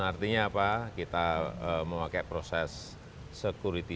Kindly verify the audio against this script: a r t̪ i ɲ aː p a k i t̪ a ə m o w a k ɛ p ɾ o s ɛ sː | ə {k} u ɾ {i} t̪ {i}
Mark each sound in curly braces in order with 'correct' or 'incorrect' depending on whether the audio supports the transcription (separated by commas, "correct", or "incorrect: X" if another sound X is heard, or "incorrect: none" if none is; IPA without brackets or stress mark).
correct, correct, correct